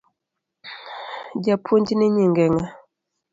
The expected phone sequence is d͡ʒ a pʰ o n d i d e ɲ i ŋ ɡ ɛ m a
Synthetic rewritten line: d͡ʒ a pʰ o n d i n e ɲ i ŋ ɡ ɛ ŋ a